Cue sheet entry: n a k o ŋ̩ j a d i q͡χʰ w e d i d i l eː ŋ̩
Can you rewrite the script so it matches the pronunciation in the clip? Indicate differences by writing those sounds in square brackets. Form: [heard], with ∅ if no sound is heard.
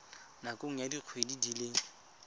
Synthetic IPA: n a k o ŋ̩ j a d i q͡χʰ w e d i d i l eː ŋ̩